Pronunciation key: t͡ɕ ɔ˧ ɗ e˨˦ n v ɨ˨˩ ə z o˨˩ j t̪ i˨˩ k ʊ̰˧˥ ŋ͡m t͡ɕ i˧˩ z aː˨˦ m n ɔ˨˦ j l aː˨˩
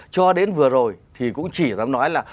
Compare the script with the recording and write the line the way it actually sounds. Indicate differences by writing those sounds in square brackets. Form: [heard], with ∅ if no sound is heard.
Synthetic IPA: t͡ɕ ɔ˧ ɗ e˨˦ n v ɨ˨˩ ə z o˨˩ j [t̪ʰ] i˨˩ k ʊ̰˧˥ ŋ͡m t͡ɕ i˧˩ z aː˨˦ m n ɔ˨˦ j l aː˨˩